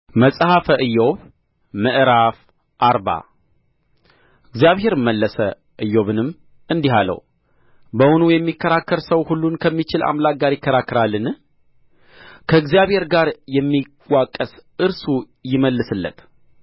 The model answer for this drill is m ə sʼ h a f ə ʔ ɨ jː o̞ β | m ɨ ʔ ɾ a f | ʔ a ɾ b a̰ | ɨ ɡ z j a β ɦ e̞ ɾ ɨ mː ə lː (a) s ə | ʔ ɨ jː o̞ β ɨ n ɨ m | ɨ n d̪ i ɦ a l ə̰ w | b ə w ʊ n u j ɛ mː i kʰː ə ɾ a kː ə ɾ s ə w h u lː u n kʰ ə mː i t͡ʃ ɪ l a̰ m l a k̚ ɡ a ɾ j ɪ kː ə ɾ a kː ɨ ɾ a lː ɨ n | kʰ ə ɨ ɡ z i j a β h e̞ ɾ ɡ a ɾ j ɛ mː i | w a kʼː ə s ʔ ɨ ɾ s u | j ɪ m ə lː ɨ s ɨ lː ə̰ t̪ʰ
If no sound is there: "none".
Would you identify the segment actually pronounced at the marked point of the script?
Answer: ə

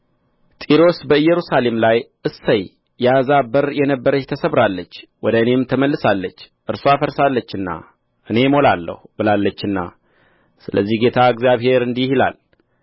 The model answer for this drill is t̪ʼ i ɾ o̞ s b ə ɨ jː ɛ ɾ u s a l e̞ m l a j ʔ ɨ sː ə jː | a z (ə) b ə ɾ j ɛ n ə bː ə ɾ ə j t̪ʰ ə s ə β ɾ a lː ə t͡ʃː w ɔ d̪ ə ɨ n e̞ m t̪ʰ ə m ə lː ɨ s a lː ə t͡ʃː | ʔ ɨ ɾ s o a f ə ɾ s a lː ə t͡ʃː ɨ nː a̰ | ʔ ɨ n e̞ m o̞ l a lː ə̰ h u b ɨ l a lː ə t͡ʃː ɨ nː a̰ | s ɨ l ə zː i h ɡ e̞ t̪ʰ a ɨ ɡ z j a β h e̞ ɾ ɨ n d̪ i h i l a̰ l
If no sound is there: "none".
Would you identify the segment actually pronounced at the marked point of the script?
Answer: a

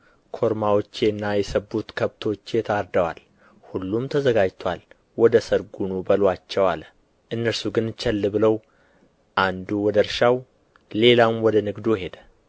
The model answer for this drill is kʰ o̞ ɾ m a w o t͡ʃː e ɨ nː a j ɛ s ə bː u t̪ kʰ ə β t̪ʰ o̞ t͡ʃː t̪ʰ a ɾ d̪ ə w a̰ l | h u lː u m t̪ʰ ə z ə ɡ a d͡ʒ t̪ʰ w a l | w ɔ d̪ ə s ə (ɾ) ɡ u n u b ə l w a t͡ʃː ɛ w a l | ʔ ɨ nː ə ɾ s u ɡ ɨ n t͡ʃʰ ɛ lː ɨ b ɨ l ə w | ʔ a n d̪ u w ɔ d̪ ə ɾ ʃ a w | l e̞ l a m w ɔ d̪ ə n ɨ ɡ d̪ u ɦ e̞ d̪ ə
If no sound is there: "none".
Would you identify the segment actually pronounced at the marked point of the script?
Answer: ɾ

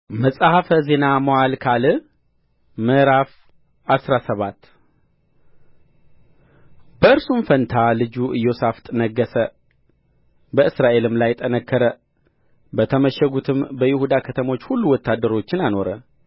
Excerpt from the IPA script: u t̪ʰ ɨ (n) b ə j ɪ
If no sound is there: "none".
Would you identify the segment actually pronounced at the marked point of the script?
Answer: m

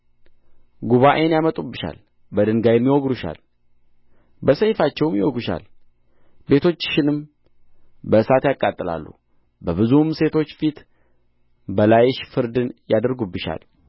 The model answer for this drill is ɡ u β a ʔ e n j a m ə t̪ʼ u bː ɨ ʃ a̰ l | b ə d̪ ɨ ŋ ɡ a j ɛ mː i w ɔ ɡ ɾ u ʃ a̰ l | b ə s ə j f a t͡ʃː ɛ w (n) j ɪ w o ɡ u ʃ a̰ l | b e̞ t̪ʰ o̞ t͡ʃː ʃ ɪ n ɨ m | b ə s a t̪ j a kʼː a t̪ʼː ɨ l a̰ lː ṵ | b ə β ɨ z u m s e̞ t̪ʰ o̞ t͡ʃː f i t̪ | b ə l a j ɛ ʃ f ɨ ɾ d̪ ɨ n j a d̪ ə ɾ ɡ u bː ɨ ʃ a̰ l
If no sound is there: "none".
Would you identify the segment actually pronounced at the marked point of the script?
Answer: m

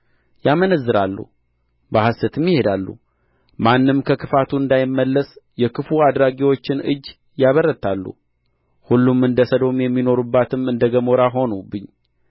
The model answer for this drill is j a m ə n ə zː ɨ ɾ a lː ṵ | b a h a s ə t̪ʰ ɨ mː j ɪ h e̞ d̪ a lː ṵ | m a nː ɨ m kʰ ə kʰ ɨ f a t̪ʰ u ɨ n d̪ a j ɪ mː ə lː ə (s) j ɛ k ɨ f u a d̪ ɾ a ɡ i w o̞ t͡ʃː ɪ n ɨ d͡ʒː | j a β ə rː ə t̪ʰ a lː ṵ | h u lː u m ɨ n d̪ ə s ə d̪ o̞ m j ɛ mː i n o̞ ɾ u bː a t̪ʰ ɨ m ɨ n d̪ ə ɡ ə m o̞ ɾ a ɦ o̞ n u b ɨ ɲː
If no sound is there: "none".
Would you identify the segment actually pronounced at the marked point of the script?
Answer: s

